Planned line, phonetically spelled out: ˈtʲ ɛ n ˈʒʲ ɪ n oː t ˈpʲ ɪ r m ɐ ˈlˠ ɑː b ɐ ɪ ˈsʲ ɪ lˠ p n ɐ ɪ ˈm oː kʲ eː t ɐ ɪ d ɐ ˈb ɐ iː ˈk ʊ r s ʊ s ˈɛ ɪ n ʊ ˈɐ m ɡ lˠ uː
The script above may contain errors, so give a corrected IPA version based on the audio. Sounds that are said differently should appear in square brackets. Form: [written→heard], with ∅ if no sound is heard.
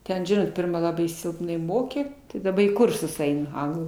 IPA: ˈtʲ ɛ n ˈʒʲ ɪ n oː t ˈpʲ ɪ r m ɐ ˈlˠ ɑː b ɐ ɪ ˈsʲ ɪ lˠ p n ɐ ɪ ˈm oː kʲ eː t ɐ ɪ d ɐ ˈb ɐ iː ˈk ʊ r s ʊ s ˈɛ ɪ n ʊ ˈɐ [m→ŋ] ɡ lˠ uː